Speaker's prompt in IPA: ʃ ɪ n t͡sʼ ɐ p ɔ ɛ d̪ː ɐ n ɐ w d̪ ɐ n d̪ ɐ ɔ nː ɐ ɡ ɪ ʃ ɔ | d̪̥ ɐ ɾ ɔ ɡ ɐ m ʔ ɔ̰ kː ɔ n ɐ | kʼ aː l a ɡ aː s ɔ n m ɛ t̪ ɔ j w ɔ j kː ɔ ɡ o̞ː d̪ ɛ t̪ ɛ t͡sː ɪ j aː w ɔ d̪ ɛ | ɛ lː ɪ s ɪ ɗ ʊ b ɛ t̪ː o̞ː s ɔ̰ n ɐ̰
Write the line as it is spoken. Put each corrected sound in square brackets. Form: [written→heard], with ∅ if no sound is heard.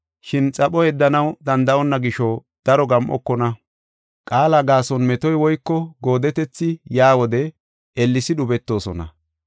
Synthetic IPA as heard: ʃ ɪ n t͡sʼ ɐ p ɔ ɛ d̪ː ɐ n ɐ w d̪ ɐ n d̪ ɐ ɔ nː ɐ ɡ ɪ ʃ ɔ | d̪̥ ɐ ɾ ɔ ɡ ɐ m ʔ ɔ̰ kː ɔ n ɐ | kʼ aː l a ɡ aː s ɔ n m ɛ t̪ ɔ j w ɔ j kː ɔ ɡ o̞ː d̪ ɛ t̪ ɛ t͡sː ɪ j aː w ɔ d̪ ɛ | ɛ lː ɪ s ɪ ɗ ʊ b ɛ t̪ː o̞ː s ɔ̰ n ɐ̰